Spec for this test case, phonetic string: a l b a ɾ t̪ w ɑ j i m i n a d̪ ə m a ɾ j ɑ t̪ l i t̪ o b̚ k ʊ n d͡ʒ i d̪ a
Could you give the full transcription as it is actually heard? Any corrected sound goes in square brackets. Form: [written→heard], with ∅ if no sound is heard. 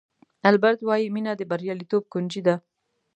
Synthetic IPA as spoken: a l b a ɾ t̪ w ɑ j i m i n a d̪ ə [m→b] a ɾ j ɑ [t̪→∅] l i t̪ o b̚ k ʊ n d͡ʒ i d̪ a